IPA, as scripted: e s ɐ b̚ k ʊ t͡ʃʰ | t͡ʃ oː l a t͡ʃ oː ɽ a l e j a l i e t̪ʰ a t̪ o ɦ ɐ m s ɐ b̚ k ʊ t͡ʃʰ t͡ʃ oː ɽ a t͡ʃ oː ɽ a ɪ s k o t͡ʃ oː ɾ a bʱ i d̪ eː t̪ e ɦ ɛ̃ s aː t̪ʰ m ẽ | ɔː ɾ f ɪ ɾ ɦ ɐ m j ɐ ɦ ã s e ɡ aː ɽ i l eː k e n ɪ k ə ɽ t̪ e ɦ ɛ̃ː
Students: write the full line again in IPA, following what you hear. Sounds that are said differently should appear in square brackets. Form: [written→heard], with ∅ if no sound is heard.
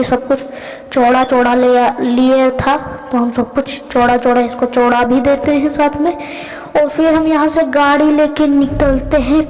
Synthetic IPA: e s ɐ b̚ k ʊ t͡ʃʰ | t͡ʃ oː [l→ɽ] a t͡ʃ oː ɽ a l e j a l i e t̪ʰ a t̪ o ɦ ɐ m s ɐ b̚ k ʊ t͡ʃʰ t͡ʃ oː ɽ a t͡ʃ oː ɽ a ɪ s k o t͡ʃ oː [ɾ→ɽ] a bʱ i d̪ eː t̪ e ɦ ɛ̃ s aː t̪ʰ m ẽ | ɔː ɾ f ɪ ɾ ɦ ɐ m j ɐ ɦ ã s e ɡ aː ɽ i l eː k e n ɪ k ə [ɽ→l] t̪ e ɦ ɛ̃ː